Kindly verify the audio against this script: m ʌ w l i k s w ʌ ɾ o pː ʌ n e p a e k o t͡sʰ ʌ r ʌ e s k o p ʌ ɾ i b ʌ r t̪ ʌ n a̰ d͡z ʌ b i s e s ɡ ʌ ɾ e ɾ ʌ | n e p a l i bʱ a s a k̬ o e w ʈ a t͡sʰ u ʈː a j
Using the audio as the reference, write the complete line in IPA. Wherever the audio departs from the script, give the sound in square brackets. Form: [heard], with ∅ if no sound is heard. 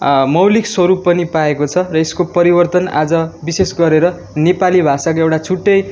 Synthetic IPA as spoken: m ʌ w l i k s w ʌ ɾ [u] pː ʌ n [i] p a e k o t͡sʰ ʌ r ʌ e s k o p ʌ ɾ i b ʌ r t̪ ʌ n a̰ d͡z ʌ b i s e s ɡ ʌ ɾ e ɾ ʌ | n e p a l i bʱ a s a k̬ o e w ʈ a t͡sʰ u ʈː [ʌ] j